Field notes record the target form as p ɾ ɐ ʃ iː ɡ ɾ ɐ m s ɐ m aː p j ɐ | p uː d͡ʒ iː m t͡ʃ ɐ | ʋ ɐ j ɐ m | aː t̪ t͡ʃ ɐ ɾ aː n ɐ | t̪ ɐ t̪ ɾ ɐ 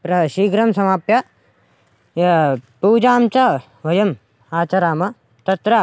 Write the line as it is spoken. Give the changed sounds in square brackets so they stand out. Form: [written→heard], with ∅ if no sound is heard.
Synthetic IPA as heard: p ɾ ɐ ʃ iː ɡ ɾ ɐ m s ɐ m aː p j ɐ | p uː d͡ʒ [iː→aː] m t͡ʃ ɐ | ʋ ɐ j ɐ m | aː [t̪→∅] t͡ʃ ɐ ɾ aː [n→m] ɐ | t̪ ɐ t̪ ɾ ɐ